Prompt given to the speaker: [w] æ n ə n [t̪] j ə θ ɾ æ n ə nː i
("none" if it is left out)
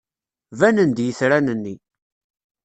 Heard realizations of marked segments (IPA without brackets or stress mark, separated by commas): v, d̪